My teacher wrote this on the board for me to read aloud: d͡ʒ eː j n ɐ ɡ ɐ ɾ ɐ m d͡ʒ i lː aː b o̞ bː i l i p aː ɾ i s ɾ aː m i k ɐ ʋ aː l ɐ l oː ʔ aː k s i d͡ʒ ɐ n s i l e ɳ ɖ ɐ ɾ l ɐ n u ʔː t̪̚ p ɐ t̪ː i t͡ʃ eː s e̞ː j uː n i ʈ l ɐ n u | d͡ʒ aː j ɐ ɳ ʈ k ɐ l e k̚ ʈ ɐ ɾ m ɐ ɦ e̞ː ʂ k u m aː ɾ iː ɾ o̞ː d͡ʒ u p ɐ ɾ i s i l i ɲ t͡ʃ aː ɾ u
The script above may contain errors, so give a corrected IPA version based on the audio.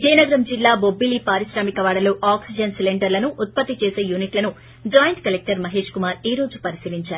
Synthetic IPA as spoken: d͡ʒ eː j n ɐ ɡ ɐ ɾ ɐ m d͡ʒ i lː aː b o̞ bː i l i p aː ɾ i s ɾ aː m i k ɐ ʋ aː ɽ ɐ l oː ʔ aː k s i d͡ʒ ɐ n s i l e ɳ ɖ ɐ ɾ l ɐ n u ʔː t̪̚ p ɐ t̪ː i t͡ʃ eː s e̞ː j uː n i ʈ l ɐ n u | d͡ʒ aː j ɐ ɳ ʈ k ɐ l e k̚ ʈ ɐ ɾ m ɐ ɦ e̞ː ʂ k u m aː ɾ iː ɾ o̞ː d͡ʒ u p ɐ ɾ i s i l i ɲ t͡ʃ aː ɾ u